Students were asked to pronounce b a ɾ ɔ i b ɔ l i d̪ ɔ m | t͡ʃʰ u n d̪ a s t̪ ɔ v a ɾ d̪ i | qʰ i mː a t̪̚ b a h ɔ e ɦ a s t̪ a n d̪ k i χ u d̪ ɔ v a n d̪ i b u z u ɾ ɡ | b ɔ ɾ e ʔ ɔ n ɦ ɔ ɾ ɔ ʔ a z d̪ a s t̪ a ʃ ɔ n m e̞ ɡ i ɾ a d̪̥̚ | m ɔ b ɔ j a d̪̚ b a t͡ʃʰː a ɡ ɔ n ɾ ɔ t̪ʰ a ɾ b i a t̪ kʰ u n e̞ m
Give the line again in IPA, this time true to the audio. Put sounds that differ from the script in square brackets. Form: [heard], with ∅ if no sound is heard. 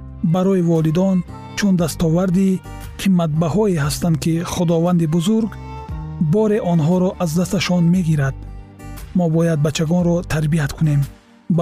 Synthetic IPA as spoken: b a ɾ ɔ i [v] ɔ l i d̪ ɔ [n] | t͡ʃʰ u n d̪ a s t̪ ɔ v a ɾ d̪ i | qʰ i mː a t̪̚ b a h ɔ e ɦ a s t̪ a n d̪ k i χ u d̪ ɔ v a n d̪ i b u z u ɾ ɡ | b ɔ ɾ e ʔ ɔ n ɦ ɔ ɾ ɔ ʔ a z d̪ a s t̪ a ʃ ɔ n m e̞ ɡ i ɾ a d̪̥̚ | m ɔ b ɔ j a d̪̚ b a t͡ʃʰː a ɡ ɔ n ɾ ɔ t̪ʰ a ɾ b i a t̪ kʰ u n e̞ m